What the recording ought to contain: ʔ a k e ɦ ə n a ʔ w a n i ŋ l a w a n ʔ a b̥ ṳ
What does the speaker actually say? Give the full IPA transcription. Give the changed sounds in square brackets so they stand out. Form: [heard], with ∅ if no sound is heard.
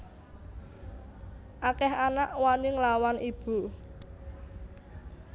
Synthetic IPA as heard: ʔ a k [ɛ] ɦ [a] n a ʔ w a n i ŋ l a w a n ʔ [i] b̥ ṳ